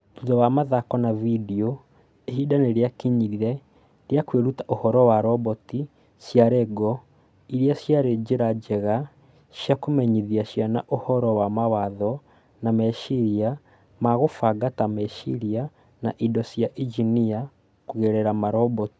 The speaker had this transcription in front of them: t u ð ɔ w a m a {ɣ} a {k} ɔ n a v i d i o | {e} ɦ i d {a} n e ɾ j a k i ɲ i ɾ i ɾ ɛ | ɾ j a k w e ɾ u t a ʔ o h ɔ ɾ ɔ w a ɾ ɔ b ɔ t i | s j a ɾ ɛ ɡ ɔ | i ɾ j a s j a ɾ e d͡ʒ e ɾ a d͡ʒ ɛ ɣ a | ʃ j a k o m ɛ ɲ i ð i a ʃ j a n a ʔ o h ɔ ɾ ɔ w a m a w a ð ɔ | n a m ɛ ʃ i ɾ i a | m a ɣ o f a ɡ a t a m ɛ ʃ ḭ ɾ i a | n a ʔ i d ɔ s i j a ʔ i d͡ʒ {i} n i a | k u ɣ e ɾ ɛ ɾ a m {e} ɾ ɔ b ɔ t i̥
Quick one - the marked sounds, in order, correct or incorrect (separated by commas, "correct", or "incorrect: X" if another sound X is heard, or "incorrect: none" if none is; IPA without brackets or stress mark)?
incorrect: ð, correct, correct, correct, correct, incorrect: a